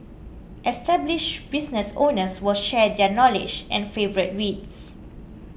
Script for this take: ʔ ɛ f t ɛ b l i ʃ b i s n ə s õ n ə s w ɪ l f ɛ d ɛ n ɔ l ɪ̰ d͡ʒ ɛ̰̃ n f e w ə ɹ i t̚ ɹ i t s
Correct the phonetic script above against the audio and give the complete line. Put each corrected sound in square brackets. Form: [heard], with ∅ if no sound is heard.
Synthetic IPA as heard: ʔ ɛ [s] t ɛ b l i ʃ b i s n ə s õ n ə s w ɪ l [ʃ] ɛ d ɛ n ɔ l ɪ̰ d͡ʒ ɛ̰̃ n f e [v] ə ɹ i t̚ ɹ i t s